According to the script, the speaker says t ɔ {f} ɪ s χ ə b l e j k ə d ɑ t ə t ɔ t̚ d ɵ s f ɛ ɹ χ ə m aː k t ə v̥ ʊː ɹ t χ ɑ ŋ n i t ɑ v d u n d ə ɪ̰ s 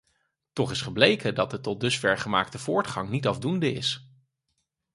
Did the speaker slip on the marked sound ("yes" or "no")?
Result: yes